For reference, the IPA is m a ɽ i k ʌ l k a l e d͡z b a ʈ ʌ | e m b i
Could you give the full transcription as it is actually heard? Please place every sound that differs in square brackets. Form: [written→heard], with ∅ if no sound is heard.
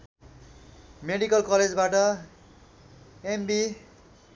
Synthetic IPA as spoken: m [a→e] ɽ i k ʌ l k [a→ʌ] l e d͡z b a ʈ ʌ | e m b i